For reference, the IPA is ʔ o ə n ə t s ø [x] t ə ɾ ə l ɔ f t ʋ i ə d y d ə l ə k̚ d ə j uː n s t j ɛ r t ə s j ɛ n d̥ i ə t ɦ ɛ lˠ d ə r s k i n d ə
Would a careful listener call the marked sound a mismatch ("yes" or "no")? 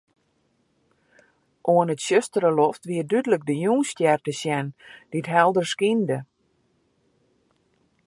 yes